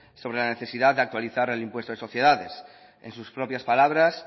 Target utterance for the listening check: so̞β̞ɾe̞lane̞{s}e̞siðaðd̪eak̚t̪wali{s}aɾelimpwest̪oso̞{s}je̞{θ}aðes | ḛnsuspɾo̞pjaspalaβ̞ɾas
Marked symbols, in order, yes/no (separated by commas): no, no, no, no